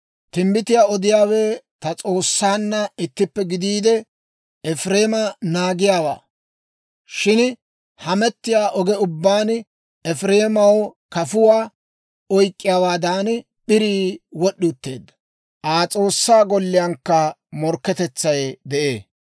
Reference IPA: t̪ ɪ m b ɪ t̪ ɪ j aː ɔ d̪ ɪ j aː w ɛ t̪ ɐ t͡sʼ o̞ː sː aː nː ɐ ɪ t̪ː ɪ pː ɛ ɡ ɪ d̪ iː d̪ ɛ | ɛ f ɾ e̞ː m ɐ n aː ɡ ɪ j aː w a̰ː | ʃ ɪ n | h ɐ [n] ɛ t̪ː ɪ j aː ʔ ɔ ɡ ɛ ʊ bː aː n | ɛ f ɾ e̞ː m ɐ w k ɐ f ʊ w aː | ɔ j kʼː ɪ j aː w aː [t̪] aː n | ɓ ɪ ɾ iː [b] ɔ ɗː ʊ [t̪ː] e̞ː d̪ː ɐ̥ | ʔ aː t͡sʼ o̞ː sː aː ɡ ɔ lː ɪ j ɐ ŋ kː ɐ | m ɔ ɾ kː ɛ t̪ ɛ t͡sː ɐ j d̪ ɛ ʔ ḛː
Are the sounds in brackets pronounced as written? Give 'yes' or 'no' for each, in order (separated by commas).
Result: no, no, no, yes